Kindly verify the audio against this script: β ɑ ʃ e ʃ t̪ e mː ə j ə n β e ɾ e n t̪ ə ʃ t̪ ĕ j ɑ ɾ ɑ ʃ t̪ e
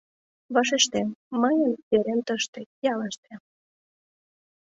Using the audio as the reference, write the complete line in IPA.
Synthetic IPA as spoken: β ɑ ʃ e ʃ t̪ e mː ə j ə n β e ɾ e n t̪ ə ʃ t̪ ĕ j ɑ l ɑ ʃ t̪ e